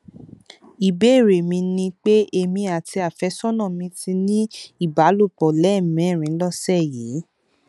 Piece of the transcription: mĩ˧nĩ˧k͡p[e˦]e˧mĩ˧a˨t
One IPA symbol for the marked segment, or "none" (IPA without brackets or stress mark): e˦